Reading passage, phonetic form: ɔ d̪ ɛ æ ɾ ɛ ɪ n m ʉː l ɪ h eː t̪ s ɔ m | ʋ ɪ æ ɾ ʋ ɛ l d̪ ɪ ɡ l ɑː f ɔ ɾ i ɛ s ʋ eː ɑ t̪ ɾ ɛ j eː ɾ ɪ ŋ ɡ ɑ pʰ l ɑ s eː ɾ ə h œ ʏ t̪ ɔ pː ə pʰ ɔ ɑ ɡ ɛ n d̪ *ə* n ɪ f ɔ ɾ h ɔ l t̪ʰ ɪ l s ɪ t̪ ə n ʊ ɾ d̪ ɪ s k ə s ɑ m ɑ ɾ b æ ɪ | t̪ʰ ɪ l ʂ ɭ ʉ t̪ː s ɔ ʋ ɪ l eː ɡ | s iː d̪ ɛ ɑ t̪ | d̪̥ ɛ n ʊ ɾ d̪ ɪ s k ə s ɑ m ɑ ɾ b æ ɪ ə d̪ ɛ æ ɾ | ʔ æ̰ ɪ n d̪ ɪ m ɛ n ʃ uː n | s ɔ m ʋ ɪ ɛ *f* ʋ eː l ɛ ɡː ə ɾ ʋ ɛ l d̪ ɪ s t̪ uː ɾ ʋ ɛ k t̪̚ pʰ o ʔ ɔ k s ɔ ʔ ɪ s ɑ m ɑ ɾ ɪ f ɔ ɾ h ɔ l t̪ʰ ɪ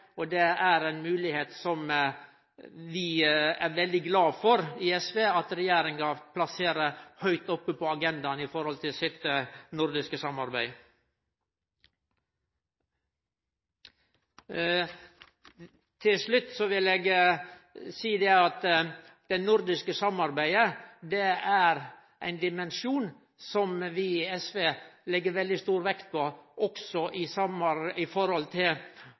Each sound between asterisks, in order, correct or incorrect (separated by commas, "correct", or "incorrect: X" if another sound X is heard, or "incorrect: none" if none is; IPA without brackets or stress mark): incorrect: ɑ, incorrect: s